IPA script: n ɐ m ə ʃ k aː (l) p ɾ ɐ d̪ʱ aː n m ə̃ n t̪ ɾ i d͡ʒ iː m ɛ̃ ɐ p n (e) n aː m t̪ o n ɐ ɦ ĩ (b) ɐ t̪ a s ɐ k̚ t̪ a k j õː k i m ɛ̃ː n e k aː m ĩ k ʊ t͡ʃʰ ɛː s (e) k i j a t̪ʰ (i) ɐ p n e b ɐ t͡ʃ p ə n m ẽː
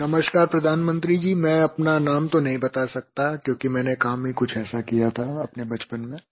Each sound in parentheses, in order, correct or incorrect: incorrect: ɾ, incorrect: a, correct, incorrect: a, incorrect: a

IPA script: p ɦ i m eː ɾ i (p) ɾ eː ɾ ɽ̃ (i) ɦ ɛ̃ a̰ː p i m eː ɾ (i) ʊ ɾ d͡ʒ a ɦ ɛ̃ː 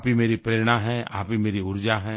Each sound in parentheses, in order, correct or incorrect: correct, incorrect: a, correct

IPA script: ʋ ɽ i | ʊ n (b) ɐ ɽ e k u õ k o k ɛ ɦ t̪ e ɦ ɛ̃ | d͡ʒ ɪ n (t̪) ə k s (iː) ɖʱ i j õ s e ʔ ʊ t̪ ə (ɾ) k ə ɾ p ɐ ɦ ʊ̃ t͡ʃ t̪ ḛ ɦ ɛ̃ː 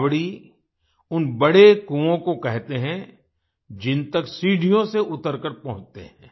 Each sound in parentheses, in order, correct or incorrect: correct, correct, correct, correct

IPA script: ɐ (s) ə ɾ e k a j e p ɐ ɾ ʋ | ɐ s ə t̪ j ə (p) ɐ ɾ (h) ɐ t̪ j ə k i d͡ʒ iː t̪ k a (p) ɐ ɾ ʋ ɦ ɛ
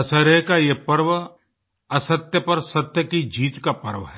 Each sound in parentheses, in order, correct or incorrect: correct, correct, incorrect: s, correct

